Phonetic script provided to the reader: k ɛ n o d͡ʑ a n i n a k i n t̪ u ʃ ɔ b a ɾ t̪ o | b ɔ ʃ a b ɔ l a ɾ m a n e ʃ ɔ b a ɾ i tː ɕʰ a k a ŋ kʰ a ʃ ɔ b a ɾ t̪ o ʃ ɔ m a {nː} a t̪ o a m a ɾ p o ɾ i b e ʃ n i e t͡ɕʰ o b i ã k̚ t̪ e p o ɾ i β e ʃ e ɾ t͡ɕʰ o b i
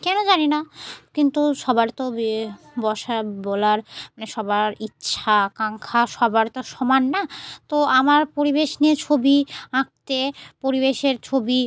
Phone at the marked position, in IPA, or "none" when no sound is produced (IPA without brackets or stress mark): nː